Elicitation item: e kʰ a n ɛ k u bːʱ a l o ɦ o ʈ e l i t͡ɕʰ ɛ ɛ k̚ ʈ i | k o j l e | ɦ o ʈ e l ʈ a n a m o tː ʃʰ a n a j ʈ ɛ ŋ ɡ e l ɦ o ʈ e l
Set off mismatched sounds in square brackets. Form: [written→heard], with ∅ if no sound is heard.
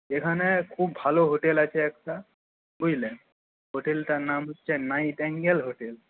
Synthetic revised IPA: e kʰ a n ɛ [k→kʰ] u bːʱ a l o ɦ o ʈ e l [i→a] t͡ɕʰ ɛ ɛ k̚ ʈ [i→a] | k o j l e | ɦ o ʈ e l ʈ a n a m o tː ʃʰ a n a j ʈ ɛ ŋ ɡ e l ɦ o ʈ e l